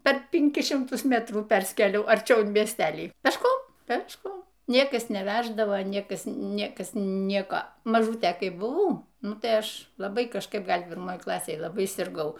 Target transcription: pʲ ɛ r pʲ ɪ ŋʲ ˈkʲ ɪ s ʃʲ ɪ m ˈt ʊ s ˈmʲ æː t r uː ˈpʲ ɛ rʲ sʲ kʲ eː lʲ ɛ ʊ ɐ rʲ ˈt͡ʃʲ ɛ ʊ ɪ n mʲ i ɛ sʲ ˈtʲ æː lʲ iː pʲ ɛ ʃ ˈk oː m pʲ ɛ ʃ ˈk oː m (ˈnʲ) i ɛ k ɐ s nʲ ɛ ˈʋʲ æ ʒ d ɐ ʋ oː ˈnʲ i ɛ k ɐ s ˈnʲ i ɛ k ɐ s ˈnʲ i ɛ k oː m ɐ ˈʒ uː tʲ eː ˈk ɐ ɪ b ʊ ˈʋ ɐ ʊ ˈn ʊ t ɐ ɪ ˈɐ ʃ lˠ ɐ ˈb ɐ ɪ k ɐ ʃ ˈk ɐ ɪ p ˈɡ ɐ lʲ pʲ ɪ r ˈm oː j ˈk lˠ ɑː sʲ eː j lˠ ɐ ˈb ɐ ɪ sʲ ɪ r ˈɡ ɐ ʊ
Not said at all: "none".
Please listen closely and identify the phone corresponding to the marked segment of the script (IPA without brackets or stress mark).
nʲ